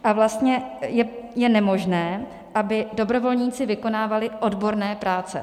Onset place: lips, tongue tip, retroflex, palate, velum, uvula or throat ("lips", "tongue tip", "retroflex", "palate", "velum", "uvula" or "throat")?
throat